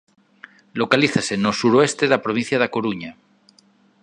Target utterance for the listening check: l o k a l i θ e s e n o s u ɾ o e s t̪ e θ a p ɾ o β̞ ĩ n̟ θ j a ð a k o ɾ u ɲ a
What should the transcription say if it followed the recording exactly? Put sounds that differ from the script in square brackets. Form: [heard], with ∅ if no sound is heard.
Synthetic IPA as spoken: l o k a l i θ [a] s e n o s u ɾ o e s t̪ e [ð] a p ɾ o β̞ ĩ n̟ θ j a ð a k o ɾ u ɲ a